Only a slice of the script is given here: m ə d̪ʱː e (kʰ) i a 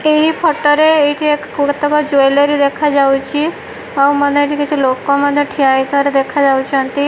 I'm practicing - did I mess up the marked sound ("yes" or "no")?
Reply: yes